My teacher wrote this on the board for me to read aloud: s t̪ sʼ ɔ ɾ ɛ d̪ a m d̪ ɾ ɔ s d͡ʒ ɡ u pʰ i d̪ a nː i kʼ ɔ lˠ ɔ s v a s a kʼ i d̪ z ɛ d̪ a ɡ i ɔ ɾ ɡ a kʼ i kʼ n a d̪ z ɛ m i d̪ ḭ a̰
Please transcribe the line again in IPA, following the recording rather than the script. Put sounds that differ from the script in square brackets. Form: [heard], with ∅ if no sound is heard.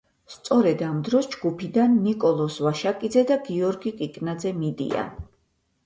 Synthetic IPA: s t̪ sʼ ɔ ɾ ɛ d̪ a m d̪ ɾ ɔ s d͡ʒ ɡ u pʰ i d̪ a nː i kʼ ɔ lˠ ɔ s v a [ʃ] a kʼ i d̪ z ɛ d̪ a ɡ i ɔ ɾ ɡ [i] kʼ i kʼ n a d̪ z ɛ m i d̪ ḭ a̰